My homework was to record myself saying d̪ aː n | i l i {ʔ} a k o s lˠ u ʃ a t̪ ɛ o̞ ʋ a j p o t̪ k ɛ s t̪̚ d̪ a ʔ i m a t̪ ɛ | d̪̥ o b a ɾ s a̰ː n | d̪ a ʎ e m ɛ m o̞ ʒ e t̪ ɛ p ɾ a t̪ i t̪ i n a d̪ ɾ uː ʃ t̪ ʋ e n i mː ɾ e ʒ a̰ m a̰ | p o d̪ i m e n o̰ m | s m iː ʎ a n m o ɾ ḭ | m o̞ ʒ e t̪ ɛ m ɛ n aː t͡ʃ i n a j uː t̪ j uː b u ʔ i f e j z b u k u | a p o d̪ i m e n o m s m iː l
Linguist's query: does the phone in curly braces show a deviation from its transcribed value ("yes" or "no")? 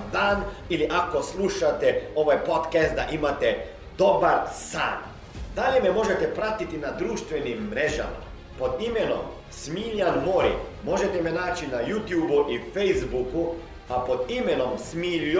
no